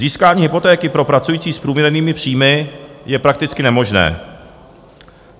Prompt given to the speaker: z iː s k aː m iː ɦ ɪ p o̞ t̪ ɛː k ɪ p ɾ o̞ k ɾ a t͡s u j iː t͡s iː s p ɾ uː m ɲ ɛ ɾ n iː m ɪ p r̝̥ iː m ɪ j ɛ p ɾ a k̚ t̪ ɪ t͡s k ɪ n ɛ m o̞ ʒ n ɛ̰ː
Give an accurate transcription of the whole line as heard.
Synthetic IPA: z iː s k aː ɲ iː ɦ ɪ p o̞ t̪ ɛː k ɪ p ɾ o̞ p ɾ a t͡s u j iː t͡s iː s p ɾ uː m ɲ ɛ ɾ n iː m ɪ p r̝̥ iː m ɪ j ɛ p ɾ a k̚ t̪ ɪ t͡s k ɪ n ɛ m o̞ ʒ n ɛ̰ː